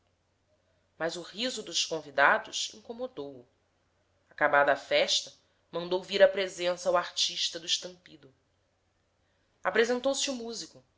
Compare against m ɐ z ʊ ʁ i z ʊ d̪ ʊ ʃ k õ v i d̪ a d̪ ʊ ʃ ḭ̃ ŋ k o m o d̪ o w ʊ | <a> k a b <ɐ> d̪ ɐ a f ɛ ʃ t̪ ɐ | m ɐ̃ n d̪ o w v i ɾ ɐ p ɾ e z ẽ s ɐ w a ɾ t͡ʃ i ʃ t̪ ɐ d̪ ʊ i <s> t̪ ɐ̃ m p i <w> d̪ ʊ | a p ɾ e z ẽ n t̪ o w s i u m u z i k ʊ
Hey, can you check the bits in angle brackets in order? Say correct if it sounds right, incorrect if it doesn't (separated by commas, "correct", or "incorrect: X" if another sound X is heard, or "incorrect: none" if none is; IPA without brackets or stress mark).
correct, incorrect: a, incorrect: ʃ, incorrect: none